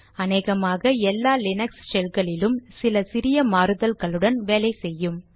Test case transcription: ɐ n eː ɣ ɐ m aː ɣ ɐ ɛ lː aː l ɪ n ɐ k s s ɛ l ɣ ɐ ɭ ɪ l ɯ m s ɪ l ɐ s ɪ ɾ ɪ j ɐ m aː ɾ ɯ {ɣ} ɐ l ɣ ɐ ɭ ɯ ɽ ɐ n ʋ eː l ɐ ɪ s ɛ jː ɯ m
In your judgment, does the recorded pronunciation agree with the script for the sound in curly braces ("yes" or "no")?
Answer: no